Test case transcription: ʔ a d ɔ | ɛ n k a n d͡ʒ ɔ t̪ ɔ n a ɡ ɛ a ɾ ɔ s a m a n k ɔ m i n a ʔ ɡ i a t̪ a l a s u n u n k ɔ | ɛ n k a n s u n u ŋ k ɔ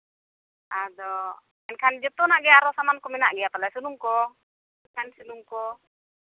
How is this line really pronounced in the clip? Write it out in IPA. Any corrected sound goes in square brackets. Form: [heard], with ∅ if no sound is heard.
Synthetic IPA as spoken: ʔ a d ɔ | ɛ n k a n d͡ʒ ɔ t̪ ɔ n a ɡ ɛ a ɾ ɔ s a m a n k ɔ m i n a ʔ ɡ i a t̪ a l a s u n u [ŋ] k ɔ | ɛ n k a n s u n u ŋ k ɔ